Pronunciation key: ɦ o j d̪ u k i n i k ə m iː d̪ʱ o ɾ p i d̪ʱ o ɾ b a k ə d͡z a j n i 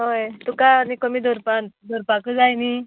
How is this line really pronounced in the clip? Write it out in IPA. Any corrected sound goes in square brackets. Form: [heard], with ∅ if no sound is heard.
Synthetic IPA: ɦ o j [t̪] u k [a] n i k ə m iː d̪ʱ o ɾ p [a] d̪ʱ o ɾ [p] a k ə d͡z a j n i